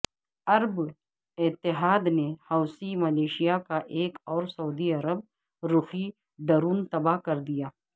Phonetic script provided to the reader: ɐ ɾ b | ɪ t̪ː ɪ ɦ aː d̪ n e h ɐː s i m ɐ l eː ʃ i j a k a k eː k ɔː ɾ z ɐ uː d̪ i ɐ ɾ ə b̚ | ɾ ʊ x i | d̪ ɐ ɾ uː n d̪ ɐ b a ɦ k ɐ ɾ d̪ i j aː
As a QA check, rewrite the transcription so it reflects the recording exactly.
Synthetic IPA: ɐ ɾ b | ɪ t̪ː ɪ ɦ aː d̪ n e h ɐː s i m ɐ l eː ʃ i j a k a ʔ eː k ɔː ɾ s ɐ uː d̪ i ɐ ɾ ə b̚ | ɾ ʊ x i | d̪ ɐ ɾ uː n t̪ ɐ b a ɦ k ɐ ɾ d̪ i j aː